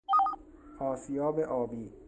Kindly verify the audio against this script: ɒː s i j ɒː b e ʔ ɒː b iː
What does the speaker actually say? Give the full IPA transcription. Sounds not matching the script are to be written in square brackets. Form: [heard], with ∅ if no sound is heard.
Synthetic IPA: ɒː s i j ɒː b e ʔ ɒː b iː